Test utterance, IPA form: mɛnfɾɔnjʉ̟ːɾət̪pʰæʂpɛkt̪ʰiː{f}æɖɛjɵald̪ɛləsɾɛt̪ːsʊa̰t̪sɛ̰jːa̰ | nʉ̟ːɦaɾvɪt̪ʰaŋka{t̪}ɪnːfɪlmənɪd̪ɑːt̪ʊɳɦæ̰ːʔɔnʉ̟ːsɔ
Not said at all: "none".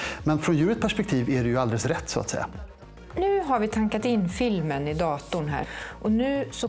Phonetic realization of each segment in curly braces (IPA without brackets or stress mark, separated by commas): v, t̪